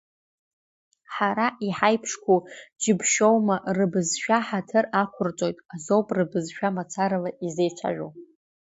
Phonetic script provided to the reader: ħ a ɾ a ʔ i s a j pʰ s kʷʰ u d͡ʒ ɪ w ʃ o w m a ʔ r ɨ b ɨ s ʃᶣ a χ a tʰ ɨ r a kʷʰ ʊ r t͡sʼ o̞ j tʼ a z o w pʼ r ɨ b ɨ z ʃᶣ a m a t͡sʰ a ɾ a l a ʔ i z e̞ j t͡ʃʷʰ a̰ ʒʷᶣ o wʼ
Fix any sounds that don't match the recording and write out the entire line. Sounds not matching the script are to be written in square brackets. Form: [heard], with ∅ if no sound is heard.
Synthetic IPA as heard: ħ a ɾ a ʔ i [ħ] a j pʰ [ʂ] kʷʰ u d͡ʒ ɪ [b] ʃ o w m a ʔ r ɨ b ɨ [z] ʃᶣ a [ħ] a tʰ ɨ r a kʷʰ ʊ r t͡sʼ o̞ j tʼ a z o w pʼ r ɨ b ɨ z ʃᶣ a m a t͡sʰ a ɾ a l a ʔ i z e̞ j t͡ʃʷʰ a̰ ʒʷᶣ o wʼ